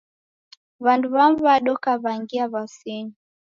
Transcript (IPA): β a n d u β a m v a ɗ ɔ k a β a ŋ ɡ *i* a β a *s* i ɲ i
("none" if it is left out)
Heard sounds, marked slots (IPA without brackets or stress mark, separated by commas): i, s